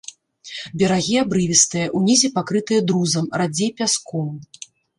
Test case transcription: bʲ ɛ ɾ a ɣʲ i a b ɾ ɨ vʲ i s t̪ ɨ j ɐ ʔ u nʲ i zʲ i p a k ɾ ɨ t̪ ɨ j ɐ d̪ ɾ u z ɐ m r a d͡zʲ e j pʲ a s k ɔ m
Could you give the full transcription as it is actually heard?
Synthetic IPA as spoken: bʲ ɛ ɾ a ɣʲ i a b ɾ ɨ vʲ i s t̪ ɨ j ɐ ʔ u nʲ i zʲ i p a k ɾ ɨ t̪ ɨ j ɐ d̪ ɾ u z ɐ m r a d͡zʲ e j pʲ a s k ɔ m